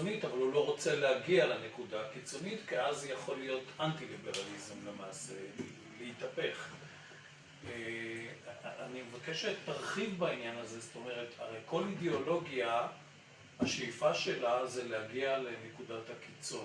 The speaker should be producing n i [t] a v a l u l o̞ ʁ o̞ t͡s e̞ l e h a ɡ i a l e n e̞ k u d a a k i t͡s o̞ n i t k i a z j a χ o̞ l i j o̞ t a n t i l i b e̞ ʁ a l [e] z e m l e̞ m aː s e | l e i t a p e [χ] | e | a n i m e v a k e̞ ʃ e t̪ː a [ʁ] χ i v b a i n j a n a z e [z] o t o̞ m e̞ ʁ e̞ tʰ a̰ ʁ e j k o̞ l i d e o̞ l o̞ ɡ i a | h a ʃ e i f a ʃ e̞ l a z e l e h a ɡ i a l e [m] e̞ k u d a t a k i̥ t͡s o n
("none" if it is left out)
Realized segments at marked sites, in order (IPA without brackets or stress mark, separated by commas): t, i, χ, ʁ, z, n